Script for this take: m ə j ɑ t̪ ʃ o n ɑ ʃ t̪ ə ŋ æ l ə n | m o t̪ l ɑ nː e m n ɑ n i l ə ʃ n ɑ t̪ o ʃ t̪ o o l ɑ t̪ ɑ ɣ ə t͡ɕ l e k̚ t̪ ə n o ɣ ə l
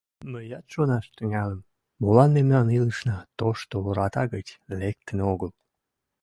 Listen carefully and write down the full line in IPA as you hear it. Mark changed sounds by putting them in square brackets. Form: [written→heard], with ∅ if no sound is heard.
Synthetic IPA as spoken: m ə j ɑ t̪ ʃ o n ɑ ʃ t̪ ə ŋ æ l ə [n→m] | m o [t̪→∅] l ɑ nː e m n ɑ n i l ə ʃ n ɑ t̪ o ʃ t̪ o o [l→ɾ] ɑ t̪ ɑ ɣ ə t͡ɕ l e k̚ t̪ ə n o ɣ ə l